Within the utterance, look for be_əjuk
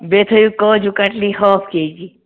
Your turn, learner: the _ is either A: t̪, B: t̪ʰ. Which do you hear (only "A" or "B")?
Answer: B